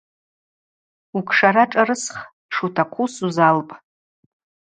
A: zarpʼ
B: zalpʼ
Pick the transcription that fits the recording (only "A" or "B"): B